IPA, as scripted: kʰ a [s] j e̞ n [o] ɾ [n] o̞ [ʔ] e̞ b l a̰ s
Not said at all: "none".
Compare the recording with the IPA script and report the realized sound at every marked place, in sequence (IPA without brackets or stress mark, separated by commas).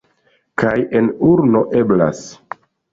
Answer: none, u, n, ʔ